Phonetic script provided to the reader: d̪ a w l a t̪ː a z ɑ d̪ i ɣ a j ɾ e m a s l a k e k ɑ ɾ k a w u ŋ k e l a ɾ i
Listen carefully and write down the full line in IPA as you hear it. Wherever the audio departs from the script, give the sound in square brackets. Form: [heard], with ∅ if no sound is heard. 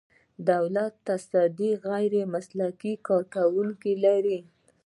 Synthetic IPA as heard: d̪ a w l a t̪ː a [s] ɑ d̪ i ɣ a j ɾ e m a s l a k [i] k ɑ ɾ k a w u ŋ k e l a ɾ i